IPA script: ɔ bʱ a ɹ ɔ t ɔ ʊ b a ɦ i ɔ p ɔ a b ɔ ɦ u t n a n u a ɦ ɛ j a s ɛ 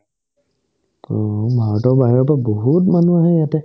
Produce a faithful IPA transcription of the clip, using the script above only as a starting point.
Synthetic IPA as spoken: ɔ bʱ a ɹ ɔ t ɔ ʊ b a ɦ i ɔ p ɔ a b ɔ ɦ u t m a n u a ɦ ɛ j a t ɛ